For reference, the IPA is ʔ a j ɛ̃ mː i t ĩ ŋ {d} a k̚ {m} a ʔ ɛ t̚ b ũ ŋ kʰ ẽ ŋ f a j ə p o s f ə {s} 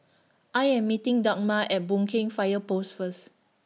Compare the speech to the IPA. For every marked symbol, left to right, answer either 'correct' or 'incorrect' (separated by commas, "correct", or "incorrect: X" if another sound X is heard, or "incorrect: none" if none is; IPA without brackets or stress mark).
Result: correct, correct, correct